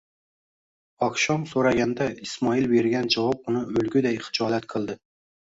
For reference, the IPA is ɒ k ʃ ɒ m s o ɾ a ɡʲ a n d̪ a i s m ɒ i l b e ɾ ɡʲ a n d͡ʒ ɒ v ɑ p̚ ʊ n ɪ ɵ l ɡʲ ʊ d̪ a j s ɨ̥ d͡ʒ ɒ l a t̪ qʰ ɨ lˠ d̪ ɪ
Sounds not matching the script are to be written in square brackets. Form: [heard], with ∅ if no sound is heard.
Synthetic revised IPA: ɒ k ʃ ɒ m s o ɾ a ɡʲ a n d̪ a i s m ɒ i l b e ɾ ɡʲ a n d͡ʒ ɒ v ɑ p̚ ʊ n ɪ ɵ l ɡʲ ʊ d̪ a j [χ] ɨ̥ d͡ʒ ɒ l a t̪ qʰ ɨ lˠ d̪ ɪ